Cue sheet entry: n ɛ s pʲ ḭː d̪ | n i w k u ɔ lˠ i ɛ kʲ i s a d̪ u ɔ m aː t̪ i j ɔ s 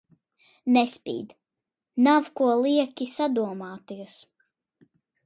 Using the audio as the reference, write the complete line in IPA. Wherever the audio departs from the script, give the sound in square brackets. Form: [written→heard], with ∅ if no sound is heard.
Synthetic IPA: n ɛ s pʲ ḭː d̪ | n [i→a] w k u ɔ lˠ i ɛ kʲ i s a d̪ u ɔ m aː t̪ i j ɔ s